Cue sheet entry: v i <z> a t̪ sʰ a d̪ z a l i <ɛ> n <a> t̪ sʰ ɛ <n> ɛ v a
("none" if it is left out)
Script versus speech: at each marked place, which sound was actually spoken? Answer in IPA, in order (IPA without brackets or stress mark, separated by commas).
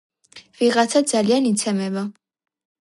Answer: ʁ, a, i, m